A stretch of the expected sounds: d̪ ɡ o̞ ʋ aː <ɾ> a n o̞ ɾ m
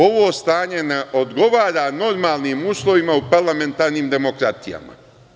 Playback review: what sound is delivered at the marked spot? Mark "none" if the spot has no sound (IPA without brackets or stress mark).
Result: ɾ